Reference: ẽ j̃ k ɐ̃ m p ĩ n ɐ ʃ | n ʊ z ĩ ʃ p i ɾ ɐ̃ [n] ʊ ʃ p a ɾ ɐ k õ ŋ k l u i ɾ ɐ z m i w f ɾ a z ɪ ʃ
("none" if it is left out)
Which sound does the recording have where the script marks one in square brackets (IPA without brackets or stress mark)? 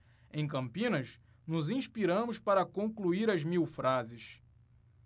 m